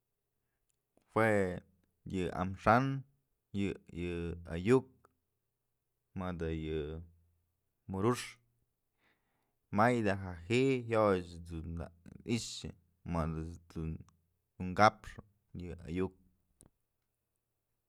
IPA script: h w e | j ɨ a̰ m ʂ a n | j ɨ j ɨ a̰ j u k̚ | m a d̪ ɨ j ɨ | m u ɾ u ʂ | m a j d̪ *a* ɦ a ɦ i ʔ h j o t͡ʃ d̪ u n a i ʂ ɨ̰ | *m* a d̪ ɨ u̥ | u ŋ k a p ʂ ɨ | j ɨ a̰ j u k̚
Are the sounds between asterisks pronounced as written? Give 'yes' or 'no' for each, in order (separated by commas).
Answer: yes, yes